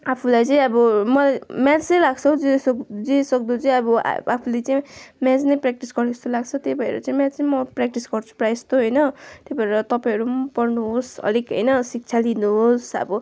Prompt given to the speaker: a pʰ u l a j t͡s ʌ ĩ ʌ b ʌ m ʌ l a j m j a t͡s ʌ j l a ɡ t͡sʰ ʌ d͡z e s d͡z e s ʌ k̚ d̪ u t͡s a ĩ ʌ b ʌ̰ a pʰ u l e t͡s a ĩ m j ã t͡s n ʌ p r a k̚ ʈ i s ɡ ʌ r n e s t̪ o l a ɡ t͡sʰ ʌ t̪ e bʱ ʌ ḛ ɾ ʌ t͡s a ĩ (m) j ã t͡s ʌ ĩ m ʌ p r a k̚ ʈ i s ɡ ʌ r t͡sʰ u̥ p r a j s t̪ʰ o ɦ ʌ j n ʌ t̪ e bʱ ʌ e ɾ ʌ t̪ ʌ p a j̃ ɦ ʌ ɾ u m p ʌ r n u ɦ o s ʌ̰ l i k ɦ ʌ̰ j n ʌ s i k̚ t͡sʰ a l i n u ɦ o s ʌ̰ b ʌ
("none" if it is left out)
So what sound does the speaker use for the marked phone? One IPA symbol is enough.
m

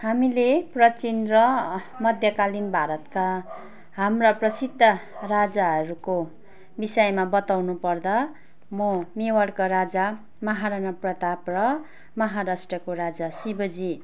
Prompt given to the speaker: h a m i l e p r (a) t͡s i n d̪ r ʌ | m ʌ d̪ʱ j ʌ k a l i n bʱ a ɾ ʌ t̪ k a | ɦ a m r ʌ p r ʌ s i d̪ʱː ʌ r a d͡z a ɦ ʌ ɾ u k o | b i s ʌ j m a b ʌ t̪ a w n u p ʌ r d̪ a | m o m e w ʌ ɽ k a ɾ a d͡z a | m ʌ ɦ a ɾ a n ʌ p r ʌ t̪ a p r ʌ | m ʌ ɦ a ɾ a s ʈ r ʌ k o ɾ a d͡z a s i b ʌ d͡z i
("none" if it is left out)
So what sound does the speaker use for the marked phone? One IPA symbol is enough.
ʌ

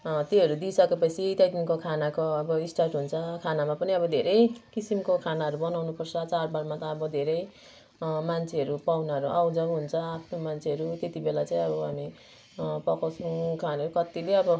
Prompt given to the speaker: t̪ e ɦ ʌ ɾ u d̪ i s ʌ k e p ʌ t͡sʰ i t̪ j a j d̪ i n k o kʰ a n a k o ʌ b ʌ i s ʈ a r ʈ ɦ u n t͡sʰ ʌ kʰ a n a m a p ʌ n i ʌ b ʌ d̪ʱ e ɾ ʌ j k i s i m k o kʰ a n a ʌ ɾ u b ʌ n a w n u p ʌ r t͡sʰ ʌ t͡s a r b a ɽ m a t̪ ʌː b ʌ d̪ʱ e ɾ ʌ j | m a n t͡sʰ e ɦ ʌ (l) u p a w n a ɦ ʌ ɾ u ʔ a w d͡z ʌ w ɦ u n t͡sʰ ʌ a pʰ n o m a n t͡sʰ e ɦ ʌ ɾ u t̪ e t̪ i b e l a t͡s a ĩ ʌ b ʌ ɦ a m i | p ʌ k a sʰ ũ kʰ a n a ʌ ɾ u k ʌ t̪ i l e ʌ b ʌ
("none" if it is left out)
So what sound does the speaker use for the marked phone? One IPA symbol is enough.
ɾ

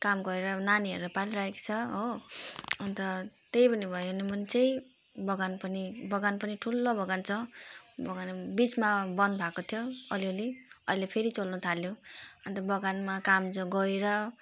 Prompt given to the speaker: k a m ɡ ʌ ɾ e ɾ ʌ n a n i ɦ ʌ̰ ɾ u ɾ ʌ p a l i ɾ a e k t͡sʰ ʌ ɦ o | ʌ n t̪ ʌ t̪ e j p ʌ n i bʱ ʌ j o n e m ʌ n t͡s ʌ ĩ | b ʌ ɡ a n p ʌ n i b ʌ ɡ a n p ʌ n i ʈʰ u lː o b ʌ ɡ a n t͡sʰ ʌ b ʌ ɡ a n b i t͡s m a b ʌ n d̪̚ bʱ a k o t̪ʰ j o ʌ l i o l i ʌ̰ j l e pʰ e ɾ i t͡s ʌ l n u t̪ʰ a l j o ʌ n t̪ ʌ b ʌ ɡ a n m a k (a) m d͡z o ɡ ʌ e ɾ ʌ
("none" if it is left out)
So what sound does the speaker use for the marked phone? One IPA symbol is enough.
a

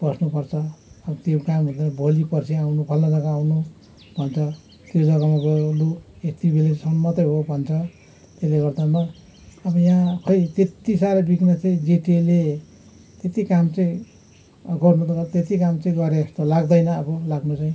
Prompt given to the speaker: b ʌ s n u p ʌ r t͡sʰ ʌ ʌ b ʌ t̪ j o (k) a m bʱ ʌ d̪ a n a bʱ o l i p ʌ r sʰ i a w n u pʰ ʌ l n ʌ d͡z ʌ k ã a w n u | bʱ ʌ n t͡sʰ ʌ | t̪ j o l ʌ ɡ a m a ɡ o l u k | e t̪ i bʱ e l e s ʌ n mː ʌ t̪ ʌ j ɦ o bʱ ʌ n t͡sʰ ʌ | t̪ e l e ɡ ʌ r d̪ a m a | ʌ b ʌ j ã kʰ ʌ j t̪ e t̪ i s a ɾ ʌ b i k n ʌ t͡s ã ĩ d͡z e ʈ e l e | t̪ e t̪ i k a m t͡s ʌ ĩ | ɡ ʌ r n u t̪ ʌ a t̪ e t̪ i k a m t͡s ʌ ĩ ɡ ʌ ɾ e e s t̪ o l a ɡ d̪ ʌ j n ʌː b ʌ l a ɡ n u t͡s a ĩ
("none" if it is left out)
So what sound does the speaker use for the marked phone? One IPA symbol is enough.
k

